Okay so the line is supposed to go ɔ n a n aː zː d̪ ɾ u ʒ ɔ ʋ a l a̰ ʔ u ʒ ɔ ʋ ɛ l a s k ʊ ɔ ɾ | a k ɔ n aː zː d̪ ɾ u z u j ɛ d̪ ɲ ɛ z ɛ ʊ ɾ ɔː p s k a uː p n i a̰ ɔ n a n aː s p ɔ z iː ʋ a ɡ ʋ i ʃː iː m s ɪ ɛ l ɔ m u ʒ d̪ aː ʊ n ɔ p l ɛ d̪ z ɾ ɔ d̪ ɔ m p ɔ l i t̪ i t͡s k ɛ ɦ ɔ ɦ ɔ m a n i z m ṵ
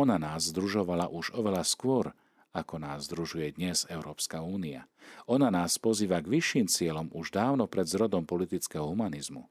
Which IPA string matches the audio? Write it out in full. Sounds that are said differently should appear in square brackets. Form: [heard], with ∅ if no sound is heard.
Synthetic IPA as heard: ɔ n a n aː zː d̪ ɾ u ʒ ɔ ʋ a l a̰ ʔ u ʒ ɔ ʋ ɛ l a s k ʊ ɔ ɾ | a k ɔ n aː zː d̪ ɾ u [ʒ] u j ɛ d̪ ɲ ɛ z ɛ ʊ ɾ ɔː p s k a uː [∅] n i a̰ ɔ n a n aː s p ɔ z iː ʋ a ɡ ʋ i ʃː iː m [t͡s] ɪ ɛ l ɔ m u ʒ d̪ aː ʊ n ɔ p [ɾ] ɛ d̪ z ɾ ɔ d̪ ɔ m p ɔ l i t̪ i t͡s k ɛ ɦ ɔ ɦ [u] m a n i z m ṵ